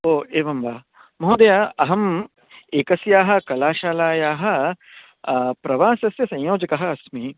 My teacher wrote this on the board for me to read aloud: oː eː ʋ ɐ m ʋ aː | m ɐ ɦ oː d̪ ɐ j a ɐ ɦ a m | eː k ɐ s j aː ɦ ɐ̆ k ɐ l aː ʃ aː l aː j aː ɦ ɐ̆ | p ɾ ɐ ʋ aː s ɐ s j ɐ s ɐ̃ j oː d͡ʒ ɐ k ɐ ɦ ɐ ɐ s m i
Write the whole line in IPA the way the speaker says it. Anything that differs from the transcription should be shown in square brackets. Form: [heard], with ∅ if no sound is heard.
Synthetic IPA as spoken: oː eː ʋ ɐ m ʋ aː | m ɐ ɦ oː d̪ ɐ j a ɐ ɦ [ɐ] m | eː k ɐ s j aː ɦ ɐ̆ k ɐ l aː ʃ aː l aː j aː ɦ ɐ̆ | p ɾ ɐ ʋ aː s ɐ s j ɐ s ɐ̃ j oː d͡ʒ ɐ k ɐ ɦ ɐ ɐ s m i

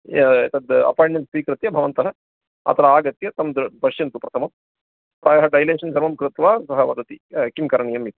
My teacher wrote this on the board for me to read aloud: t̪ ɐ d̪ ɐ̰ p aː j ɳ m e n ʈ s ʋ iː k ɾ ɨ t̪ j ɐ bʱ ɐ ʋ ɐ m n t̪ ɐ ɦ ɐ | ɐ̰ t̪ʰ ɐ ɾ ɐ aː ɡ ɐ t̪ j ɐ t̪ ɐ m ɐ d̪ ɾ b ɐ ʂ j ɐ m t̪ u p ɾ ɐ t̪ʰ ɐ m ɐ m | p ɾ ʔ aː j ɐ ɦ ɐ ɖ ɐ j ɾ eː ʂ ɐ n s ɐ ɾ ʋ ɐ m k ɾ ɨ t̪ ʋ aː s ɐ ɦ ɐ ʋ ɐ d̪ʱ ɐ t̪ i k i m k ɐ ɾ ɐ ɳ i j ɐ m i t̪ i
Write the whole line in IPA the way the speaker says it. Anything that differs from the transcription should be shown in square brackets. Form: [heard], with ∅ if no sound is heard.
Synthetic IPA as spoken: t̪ ɐ d̪ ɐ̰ p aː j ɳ m e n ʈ s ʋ iː k ɾ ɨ t̪ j ɐ bʱ ɐ ʋ ɐ [∅] n t̪ ɐ ɦ ɐ | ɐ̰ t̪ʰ ɐ ɾ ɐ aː ɡ ɐ t̪ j ɐ t̪ ɐ m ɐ d̪ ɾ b ɐ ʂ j ɐ [n] t̪ u p ɾ ɐ t̪ʰ ɐ m ɐ m | p ɾ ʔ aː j ɐ ɦ ɐ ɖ ɐ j [l] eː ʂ ɐ n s ɐ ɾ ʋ ɐ m k ɾ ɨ t̪ ʋ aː s ɐ ɦ ɐ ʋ ɐ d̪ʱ ɐ t̪ i k i m k ɐ ɾ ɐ ɳ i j ɐ m i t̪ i

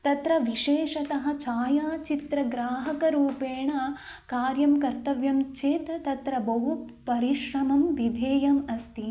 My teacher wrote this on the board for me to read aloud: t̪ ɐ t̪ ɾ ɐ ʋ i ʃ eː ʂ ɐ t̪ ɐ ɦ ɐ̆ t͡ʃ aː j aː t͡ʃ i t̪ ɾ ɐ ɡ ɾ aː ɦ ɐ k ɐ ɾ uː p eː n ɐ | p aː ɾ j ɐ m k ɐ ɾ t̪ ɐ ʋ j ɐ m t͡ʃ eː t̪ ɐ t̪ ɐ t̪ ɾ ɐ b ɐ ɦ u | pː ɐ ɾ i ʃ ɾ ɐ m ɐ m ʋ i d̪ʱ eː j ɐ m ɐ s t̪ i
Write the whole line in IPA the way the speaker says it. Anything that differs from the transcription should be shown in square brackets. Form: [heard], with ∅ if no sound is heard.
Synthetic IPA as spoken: t̪ ɐ t̪ ɾ ɐ ʋ i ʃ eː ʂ ɐ t̪ ɐ ɦ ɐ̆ t͡ʃ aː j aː t͡ʃ i t̪ ɾ ɐ ɡ ɾ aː ɦ ɐ k ɐ ɾ uː p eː [ɳ] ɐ | [k] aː ɾ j ɐ m k ɐ ɾ t̪ ɐ ʋ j ɐ m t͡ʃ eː t̪ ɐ t̪ ɐ t̪ ɾ ɐ b ɐ ɦ u | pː ɐ ɾ i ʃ ɾ ɐ m ɐ m ʋ i d̪ʱ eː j ɐ m ɐ s t̪ i

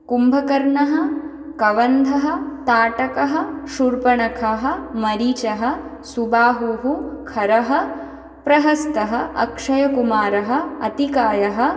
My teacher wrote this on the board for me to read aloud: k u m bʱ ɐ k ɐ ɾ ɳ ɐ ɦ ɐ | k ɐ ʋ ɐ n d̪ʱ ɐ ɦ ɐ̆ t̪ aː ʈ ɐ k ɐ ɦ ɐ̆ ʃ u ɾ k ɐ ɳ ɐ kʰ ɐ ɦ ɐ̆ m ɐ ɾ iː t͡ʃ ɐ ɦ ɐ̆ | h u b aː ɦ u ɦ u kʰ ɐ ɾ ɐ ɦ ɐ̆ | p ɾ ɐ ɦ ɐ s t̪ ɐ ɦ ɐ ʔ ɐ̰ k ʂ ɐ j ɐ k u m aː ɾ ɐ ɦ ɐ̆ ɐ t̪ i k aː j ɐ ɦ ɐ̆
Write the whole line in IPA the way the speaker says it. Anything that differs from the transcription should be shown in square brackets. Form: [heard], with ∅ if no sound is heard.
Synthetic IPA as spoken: k u m bʱ ɐ k ɐ ɾ ɳ ɐ ɦ ɐ | k ɐ ʋ ɐ n d̪ʱ ɐ ɦ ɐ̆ t̪ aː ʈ ɐ k ɐ ɦ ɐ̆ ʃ u ɾ [p] ɐ ɳ ɐ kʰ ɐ ɦ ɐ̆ m ɐ ɾ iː t͡ʃ ɐ ɦ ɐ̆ | [s] u b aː ɦ u ɦ u kʰ ɐ ɾ ɐ ɦ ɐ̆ | p ɾ ɐ ɦ ɐ s t̪ ɐ ɦ ɐ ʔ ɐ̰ k ʂ ɐ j ɐ k u m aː ɾ ɐ ɦ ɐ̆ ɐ t̪ i k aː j ɐ ɦ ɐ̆

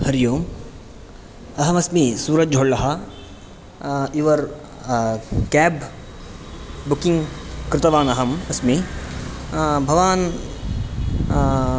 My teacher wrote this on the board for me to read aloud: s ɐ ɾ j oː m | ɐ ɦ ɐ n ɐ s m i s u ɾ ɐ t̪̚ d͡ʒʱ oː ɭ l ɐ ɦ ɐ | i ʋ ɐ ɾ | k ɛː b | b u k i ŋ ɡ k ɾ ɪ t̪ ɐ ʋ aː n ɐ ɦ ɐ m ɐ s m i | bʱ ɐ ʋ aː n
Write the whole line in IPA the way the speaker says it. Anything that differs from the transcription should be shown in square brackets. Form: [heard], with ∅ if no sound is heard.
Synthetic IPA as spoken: [h] ɐ ɾ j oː m | ɐ ɦ ɐ [m] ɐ s m i s [uː] ɾ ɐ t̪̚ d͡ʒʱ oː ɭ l ɐ ɦ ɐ | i ʋ ɐ ɾ | k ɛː b | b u k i ŋ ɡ k ɾ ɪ t̪ ɐ ʋ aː n ɐ ɦ ɐ m ɐ s m i | bʱ ɐ ʋ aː n

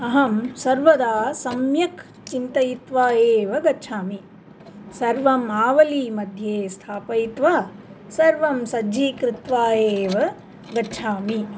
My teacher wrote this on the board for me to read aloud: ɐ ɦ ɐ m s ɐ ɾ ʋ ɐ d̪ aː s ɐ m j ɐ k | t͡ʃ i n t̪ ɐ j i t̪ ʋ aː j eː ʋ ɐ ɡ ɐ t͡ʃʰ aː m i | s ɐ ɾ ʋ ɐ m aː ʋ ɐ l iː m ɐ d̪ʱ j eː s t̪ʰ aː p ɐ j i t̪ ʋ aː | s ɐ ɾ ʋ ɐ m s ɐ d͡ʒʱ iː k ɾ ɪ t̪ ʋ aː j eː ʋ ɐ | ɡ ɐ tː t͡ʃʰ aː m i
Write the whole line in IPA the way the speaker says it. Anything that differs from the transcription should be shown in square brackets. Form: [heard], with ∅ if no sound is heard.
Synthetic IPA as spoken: ɐ ɦ ɐ m s ɐ ɾ ʋ ɐ d̪ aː s ɐ m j ɐ k | t͡ʃ i n t̪ ɐ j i t̪ ʋ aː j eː ʋ ɐ ɡ ɐ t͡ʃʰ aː m i | s ɐ ɾ ʋ ɐ m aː ʋ ɐ l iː m ɐ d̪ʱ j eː s t̪ʰ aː p ɐ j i t̪ ʋ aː | s ɐ ɾ ʋ ɐ m s ɐ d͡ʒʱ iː k ɾ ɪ t̪ ʋ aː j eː ʋ ɐ | ɡ ɐ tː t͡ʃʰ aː m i

